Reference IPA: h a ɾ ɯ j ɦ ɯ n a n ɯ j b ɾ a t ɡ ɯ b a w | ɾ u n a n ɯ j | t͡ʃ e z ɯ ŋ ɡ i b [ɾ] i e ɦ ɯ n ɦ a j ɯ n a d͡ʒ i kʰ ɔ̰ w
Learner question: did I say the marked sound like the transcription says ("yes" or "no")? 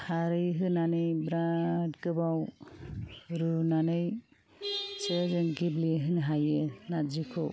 no